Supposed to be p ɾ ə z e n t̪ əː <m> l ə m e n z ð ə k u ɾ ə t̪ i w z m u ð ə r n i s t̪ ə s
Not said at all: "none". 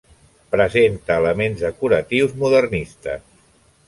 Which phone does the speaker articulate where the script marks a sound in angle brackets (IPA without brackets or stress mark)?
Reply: none